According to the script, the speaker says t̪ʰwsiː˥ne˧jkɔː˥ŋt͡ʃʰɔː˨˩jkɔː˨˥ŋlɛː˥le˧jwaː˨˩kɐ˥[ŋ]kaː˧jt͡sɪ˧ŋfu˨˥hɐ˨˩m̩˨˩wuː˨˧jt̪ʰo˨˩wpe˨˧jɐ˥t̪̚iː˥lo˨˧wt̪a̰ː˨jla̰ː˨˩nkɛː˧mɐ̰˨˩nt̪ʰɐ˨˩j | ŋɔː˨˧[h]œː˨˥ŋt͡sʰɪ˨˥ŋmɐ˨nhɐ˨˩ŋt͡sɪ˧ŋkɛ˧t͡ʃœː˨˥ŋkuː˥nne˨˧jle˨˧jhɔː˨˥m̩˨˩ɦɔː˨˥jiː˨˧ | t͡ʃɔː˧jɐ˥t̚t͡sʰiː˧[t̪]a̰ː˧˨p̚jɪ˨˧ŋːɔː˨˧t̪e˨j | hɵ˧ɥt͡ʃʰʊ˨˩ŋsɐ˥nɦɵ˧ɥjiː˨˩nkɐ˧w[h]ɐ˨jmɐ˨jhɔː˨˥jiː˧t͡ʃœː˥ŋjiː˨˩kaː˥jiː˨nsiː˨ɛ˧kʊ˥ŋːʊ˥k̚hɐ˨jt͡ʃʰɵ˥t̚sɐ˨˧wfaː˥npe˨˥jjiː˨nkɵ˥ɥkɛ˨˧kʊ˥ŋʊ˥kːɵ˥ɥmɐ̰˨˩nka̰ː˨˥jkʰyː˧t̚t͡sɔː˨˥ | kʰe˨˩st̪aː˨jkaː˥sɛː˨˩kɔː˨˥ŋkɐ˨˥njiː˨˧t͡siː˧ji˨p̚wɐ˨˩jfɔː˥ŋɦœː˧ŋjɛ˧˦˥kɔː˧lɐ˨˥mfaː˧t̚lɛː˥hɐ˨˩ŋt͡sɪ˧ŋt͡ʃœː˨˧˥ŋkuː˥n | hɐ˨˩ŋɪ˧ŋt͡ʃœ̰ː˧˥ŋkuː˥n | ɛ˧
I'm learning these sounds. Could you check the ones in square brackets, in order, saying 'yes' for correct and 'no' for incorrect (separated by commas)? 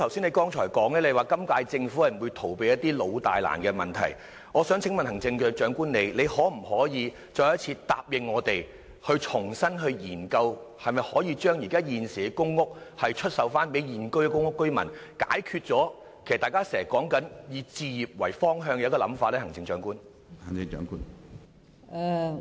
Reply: no, no, yes, yes